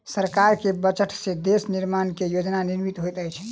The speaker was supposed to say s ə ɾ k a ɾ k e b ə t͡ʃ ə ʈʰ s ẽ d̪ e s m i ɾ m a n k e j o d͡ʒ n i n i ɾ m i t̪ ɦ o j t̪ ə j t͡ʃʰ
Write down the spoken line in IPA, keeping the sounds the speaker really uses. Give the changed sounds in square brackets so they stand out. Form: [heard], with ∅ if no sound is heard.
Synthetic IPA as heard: s ə ɾ k a ɾ k e b ə t͡ʃ ə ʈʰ s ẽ d̪ e s [n] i ɾ m a n k e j o d͡ʒ n [a] n i ɾ m i t̪ ɦ o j t̪ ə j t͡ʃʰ